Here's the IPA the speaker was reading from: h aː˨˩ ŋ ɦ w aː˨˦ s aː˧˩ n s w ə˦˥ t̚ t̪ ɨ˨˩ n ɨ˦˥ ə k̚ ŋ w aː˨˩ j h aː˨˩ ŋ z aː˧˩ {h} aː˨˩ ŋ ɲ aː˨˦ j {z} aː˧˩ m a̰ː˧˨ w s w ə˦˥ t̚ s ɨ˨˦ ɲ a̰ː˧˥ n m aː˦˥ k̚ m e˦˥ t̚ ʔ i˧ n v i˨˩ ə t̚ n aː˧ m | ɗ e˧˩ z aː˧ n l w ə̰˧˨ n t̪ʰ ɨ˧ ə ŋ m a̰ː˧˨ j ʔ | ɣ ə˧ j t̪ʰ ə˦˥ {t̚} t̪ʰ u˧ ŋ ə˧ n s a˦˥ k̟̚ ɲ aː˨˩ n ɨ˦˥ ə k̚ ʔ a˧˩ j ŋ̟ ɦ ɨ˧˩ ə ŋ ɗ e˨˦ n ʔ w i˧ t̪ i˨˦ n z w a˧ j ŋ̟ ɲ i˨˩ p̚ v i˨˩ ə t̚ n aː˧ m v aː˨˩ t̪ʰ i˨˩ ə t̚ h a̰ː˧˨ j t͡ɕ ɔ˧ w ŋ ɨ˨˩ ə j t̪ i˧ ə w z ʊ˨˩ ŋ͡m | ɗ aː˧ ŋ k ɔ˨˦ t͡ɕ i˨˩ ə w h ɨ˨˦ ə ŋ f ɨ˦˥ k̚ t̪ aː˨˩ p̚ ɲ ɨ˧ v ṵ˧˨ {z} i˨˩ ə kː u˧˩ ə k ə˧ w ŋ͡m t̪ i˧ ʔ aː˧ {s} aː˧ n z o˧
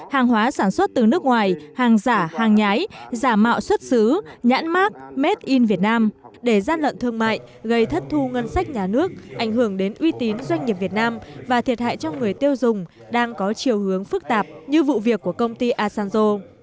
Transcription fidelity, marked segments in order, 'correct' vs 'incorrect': correct, correct, correct, incorrect: v, correct

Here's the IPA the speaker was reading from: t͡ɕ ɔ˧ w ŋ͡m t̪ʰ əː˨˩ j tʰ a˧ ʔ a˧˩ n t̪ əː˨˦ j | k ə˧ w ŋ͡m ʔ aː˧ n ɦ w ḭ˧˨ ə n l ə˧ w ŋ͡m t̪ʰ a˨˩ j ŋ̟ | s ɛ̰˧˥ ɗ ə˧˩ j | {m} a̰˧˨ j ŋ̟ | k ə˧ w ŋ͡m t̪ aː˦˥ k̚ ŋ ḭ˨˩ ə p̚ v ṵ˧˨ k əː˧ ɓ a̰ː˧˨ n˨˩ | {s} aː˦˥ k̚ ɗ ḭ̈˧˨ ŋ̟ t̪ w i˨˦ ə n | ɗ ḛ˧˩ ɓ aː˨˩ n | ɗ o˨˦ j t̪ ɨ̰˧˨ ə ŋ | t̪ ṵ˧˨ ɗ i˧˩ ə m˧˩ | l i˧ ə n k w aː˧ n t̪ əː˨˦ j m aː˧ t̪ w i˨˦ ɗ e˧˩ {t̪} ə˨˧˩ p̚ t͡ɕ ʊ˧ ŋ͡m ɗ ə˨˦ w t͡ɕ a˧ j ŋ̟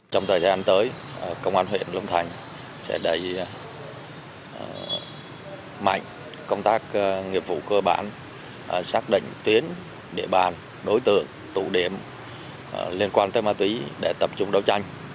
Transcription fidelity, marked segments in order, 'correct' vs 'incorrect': correct, correct, correct

